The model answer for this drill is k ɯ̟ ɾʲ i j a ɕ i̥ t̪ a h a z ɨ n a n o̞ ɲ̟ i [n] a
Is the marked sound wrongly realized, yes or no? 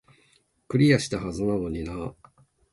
no